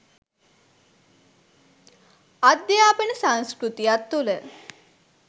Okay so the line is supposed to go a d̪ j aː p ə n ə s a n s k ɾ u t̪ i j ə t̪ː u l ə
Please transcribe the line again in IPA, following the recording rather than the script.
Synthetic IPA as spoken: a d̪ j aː p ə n ə s a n s k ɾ u t̪ i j a t̪ː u l ə